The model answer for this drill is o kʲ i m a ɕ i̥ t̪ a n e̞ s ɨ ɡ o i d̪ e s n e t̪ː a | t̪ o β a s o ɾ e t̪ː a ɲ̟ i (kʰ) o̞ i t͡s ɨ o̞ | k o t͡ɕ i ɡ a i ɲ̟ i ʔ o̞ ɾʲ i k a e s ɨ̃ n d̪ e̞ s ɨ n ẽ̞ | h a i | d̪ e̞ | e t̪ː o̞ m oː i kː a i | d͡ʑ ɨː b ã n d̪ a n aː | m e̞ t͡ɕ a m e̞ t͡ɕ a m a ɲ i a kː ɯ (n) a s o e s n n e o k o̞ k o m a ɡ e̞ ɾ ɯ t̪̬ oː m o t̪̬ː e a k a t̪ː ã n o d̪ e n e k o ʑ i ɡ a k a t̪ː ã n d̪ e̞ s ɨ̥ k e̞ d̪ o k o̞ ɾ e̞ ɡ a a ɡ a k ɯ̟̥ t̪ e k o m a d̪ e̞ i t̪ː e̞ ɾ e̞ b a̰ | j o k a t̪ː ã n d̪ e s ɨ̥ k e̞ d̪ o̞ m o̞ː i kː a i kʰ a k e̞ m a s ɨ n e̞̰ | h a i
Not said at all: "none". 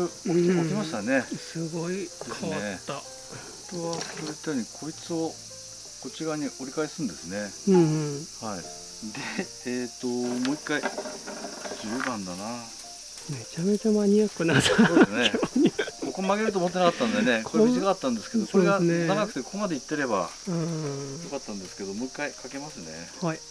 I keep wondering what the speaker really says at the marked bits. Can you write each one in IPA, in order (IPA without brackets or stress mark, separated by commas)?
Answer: kʰ, n